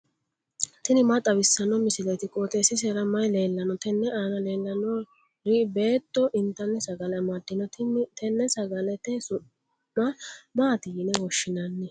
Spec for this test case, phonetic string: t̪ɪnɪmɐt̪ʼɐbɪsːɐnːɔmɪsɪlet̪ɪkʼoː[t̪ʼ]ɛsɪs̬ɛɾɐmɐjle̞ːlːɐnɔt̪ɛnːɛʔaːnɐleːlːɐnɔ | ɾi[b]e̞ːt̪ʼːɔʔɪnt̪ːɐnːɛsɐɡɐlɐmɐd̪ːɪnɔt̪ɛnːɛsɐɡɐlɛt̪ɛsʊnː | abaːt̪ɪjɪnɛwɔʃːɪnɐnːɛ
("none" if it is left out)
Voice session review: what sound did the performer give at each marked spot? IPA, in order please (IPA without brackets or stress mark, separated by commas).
t̪, b